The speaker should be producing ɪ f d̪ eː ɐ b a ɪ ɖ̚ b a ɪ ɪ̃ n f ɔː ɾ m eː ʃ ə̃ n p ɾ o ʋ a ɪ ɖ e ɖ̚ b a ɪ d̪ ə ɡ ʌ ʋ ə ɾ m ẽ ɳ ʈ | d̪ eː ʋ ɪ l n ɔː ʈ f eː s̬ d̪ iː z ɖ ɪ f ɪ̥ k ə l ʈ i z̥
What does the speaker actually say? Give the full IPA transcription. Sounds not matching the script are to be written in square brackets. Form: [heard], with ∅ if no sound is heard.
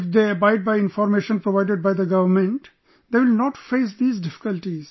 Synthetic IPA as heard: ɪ f d̪ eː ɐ b a ɪ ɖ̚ b a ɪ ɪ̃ n f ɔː ɾ m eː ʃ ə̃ n p ɾ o ʋ a ɪ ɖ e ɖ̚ b a ɪ d̪ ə ɡ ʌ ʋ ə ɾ m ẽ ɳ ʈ | d̪ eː ʋ ɪ l n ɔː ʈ f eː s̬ d̪ iː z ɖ ɪ f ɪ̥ k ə l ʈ i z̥

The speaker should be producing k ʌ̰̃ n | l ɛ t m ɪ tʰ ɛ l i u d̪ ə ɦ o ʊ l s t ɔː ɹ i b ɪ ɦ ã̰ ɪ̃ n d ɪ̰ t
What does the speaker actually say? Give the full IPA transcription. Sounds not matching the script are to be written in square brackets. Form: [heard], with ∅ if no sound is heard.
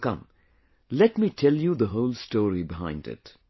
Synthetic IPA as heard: k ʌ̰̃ [m] | l ɛ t m [i] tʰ ɛ l [j] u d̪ ə ɦ o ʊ l s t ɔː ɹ i b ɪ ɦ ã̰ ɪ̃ n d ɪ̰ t

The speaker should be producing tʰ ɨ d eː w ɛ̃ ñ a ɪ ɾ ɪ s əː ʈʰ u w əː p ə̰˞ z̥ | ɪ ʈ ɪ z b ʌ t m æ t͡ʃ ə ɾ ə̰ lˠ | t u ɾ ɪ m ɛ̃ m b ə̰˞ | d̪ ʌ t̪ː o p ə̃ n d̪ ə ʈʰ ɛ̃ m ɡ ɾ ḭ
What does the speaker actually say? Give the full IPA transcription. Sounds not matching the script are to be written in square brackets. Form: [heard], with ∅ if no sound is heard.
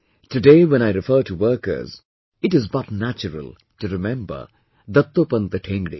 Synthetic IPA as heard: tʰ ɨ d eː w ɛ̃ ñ a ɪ ɾ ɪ [f] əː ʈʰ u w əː [k] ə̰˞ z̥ | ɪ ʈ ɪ z b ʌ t [n] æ t͡ʃ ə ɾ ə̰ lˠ | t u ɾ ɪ m ɛ̃ m b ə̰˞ | d̪ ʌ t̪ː o p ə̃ n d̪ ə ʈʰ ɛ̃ [ŋ] ɡ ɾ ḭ

